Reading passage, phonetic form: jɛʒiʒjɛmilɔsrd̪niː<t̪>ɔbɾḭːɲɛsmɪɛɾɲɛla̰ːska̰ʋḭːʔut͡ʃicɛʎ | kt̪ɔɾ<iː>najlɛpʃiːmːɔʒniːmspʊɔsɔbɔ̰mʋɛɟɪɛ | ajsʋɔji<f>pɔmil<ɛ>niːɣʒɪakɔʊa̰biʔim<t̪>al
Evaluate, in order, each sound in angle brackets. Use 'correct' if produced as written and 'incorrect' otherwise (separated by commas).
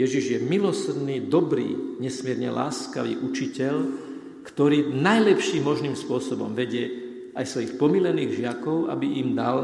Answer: incorrect, correct, incorrect, correct, incorrect